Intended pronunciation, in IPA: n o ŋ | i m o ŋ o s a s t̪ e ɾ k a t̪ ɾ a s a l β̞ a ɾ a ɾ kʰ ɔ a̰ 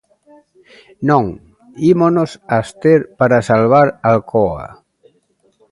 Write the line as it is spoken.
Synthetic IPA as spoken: n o ŋ | i m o n o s a s t̪ e ɾ p a ɾ a s a l β̞ a ɾ a l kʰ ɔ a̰